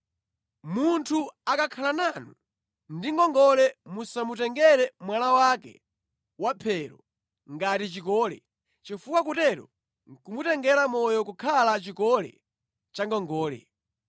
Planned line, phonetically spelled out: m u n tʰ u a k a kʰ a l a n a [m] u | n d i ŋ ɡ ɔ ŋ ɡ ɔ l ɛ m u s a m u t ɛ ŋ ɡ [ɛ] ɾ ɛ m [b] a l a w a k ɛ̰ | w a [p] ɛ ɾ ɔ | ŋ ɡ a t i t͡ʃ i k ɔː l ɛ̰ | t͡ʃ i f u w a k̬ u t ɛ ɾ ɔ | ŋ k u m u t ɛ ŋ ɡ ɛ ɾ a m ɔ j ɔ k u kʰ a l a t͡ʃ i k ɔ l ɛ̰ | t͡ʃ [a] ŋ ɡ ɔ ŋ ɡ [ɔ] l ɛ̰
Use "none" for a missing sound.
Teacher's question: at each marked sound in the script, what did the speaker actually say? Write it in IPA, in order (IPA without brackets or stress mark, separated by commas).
n, ɛ, w, pʰ, a, ɔː